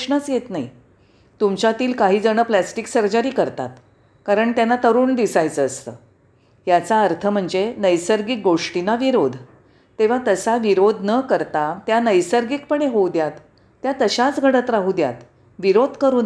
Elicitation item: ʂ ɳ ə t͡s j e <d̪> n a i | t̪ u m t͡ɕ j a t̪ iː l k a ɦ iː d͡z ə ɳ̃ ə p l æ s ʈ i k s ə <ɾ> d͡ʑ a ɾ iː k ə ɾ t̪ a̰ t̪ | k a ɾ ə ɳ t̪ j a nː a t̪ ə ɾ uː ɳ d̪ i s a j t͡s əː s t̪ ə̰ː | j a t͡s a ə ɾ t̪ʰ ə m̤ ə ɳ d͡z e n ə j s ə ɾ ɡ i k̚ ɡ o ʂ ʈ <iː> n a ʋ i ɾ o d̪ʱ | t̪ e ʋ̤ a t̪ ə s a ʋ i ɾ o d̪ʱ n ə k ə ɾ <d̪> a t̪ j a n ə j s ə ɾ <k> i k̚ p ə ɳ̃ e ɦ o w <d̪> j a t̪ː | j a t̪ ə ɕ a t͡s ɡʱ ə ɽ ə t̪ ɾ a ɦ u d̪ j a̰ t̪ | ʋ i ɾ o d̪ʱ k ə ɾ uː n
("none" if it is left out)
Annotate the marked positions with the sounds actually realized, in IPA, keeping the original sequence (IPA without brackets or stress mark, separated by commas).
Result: t̪, ɾ, i, t̪, ɡ, d̪